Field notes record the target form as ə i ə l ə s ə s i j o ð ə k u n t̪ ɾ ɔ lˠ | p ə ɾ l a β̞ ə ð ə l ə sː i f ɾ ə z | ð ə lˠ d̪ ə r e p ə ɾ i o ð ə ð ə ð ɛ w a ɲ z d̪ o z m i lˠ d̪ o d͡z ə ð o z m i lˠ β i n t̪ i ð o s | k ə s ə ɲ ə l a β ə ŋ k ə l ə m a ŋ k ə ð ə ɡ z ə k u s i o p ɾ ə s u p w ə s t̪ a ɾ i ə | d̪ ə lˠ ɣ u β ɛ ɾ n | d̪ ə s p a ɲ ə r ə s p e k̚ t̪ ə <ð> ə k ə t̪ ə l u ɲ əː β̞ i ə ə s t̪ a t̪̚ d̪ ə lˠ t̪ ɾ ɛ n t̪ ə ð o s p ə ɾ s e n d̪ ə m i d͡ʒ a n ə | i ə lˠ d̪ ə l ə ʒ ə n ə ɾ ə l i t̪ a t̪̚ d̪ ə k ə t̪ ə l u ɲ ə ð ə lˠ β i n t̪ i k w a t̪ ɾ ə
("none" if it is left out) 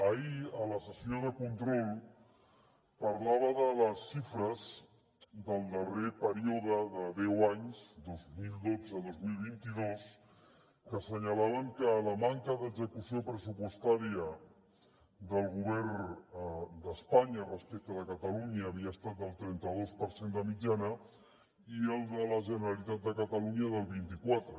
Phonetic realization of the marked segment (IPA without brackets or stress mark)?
ð